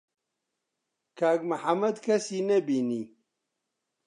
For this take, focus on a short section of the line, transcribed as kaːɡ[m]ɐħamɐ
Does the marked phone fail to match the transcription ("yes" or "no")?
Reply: no